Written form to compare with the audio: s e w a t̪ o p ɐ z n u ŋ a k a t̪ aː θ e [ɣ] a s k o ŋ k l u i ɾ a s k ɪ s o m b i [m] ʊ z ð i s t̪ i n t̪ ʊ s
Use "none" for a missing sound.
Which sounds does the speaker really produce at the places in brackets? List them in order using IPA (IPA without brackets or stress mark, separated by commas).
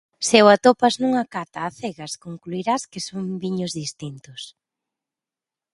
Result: ɣ, ɲ